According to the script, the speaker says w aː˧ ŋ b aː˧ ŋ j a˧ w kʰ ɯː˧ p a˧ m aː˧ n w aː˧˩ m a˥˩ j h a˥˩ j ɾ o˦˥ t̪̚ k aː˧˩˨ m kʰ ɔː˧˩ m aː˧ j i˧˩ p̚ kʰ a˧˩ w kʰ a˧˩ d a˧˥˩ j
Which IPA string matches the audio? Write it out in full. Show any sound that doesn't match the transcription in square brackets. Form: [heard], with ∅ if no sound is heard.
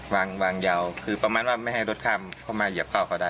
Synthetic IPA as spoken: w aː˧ ŋ [w] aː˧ ŋ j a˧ w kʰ ɯː˧ p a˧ m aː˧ n w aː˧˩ m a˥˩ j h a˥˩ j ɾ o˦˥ t̪̚ [kʰ] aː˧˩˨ m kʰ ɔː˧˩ m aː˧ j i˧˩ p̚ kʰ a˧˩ w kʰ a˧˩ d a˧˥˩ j